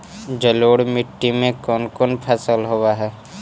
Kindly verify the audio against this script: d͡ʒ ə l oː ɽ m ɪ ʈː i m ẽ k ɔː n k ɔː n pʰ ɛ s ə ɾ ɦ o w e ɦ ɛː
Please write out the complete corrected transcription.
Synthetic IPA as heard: d͡ʒ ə l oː ɽ m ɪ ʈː i m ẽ k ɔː n k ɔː n pʰ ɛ s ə l ɦ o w a ɦ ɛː